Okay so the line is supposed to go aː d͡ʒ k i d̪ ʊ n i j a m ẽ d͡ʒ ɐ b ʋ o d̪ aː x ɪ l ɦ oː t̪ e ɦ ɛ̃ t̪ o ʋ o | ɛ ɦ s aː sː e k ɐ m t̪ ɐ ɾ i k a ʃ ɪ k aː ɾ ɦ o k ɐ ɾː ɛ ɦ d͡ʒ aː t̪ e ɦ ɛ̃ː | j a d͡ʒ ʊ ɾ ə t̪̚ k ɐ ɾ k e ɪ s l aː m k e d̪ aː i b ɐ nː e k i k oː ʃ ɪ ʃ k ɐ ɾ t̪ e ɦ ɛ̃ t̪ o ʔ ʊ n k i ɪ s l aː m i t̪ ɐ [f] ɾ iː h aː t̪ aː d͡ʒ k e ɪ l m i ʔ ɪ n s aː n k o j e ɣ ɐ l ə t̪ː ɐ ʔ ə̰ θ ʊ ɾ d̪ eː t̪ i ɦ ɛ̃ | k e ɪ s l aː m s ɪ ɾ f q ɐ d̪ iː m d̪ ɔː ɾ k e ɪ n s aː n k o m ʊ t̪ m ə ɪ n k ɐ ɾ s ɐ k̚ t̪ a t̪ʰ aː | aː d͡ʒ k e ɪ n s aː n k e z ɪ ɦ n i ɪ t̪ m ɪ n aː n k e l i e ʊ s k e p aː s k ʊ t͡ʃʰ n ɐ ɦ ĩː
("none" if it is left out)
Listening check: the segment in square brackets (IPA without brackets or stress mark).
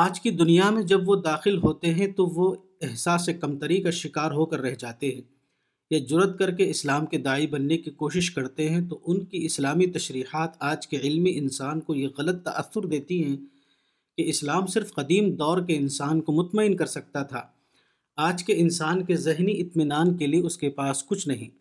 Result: ʃ